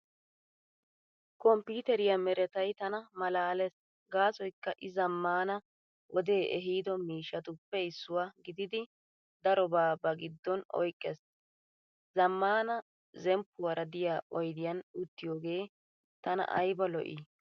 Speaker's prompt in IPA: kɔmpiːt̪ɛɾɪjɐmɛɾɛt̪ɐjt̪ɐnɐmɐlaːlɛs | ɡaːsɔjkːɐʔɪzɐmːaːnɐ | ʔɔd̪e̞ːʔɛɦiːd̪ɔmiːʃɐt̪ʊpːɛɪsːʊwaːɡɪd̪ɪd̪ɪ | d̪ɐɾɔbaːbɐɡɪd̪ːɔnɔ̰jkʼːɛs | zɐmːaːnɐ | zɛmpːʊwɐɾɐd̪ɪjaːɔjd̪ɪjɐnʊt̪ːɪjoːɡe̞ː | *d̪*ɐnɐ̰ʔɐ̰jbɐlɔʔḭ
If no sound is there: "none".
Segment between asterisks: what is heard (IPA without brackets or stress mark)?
t̪